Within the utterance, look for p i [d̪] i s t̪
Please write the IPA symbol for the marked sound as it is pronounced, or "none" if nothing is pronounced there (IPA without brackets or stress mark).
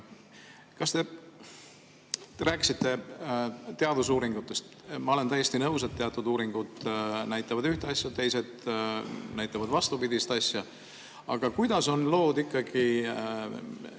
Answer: d̪